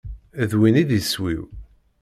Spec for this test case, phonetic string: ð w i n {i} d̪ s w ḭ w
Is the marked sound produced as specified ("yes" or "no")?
yes